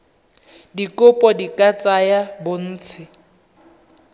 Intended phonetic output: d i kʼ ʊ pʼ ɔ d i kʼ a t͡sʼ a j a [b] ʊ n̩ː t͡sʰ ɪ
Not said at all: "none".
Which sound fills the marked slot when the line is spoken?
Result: b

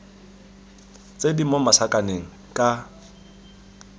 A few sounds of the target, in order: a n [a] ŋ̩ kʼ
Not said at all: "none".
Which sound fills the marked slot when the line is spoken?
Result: e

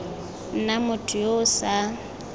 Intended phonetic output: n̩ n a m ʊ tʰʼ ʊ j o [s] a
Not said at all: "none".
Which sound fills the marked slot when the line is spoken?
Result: s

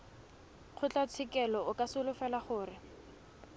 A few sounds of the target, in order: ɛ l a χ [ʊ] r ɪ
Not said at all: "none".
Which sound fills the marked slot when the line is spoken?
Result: ʊː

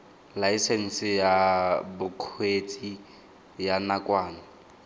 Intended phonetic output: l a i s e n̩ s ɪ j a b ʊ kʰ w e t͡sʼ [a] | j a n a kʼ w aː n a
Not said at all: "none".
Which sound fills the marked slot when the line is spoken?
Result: i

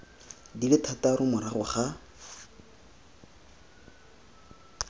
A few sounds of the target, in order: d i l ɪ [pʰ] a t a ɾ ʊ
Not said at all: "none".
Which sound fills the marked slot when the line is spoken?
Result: tʰ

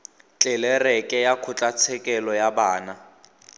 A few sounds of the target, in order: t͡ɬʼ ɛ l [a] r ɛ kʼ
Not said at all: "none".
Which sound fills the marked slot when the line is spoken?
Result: ɛ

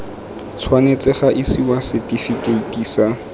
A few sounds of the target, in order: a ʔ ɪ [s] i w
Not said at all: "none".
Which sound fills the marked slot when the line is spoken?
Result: s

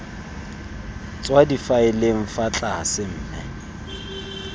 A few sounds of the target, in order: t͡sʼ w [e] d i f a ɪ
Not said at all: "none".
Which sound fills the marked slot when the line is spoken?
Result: a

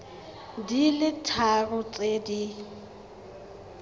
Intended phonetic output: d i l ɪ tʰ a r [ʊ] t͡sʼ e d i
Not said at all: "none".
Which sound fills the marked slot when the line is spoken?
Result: ʊ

